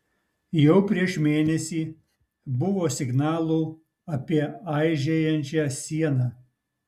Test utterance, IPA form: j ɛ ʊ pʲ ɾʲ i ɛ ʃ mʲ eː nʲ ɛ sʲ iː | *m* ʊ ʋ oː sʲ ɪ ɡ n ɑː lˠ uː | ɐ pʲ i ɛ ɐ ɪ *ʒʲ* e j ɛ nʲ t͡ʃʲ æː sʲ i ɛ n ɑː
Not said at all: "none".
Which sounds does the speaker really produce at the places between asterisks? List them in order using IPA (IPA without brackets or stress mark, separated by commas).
b, ʒʲ